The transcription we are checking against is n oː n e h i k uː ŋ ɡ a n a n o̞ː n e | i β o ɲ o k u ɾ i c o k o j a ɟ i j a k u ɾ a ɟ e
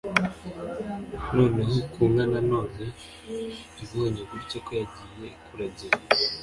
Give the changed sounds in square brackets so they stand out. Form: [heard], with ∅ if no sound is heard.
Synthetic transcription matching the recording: n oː n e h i k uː ŋ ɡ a n a n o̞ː n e | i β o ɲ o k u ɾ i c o k o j a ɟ i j [e] k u ɾ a ɟ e